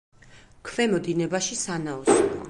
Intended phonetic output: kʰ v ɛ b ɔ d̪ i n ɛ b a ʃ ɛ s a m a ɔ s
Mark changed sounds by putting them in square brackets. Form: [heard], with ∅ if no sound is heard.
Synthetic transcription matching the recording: kʰ v ɛ [m] ɔ d̪ i n ɛ b a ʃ [i] s a [n] a ɔ s